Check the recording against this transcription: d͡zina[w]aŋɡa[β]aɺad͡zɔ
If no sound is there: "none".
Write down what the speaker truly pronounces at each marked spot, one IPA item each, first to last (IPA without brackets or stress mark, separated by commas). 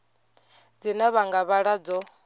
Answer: β, β